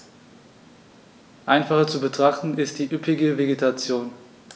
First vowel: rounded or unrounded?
unrounded